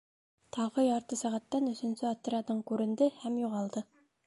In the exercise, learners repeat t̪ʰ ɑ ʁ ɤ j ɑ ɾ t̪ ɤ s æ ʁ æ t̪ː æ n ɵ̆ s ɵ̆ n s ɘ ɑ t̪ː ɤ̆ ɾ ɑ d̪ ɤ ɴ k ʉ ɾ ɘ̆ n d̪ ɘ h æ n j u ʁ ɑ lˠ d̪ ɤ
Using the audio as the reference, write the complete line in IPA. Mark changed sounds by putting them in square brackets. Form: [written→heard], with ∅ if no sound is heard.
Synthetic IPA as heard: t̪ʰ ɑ ʁ ɤ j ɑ ɾ t̪ ɤ s æ ʁ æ t̪ː æ n ɵ̆ s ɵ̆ n s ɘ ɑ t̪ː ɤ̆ ɾ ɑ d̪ ɤ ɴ k ʉ ɾ ɘ̆ n d̪ ɘ h æ [n→m] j u ʁ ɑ lˠ d̪ ɤ